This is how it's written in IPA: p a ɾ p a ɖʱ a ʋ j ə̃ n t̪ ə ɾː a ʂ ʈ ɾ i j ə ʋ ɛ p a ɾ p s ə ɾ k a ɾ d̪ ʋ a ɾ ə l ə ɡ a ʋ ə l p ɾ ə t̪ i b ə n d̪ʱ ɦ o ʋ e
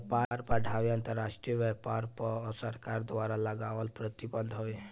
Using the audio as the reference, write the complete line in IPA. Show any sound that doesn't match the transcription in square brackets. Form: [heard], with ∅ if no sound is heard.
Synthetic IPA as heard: p a ɾ p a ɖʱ a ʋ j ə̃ n t̪ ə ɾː a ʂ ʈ ɾ i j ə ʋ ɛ p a ɾ p s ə ɾ k a ɾ d̪ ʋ a ɾ [a] l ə ɡ a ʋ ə l p ɾ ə t̪ i b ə n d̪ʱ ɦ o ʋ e